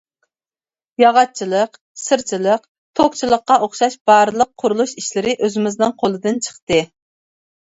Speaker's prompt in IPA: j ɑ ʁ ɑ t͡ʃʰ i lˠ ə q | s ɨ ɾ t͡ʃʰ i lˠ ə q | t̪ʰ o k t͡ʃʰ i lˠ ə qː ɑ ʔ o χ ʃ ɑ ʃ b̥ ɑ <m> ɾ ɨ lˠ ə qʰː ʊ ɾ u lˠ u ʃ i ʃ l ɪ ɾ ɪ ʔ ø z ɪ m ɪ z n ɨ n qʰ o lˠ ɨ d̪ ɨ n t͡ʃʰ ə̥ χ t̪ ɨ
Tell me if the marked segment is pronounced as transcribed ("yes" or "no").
no